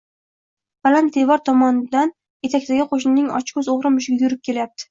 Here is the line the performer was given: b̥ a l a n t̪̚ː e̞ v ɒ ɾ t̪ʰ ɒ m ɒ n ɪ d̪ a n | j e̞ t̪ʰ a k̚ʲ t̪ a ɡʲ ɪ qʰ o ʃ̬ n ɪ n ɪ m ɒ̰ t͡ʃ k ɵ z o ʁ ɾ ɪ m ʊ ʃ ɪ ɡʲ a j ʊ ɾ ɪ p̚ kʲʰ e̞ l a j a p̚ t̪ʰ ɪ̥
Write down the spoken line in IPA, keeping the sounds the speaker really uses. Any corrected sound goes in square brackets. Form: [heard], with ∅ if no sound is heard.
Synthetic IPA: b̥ a l a n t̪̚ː e̞ v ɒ ɾ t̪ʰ ɒ m ɒ n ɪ d̪ a n | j e̞ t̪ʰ a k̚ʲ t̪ a ɡʲ ɪ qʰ o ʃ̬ n ɪ n ɪ [ŋ] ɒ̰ t͡ʃ k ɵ z o ʁ ɾ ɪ m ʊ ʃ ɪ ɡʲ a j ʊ ɾ ɪ p̚ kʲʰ e̞ l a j a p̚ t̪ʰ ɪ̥